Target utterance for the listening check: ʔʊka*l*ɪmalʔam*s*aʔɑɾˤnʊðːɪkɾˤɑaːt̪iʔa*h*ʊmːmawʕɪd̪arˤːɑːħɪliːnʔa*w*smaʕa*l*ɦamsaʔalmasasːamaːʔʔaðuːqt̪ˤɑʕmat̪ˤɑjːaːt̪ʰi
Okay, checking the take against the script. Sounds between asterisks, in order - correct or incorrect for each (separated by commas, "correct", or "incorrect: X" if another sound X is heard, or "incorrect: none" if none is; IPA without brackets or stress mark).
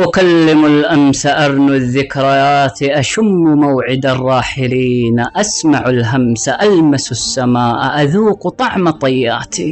incorrect: lː, correct, incorrect: ʃ, incorrect: none, correct